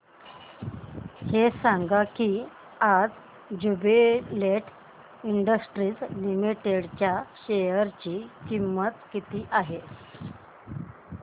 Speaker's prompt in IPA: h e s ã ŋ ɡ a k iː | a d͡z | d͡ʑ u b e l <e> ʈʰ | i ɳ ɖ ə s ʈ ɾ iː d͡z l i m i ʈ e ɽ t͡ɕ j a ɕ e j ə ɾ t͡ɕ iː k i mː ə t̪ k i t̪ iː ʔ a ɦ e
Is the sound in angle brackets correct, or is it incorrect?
correct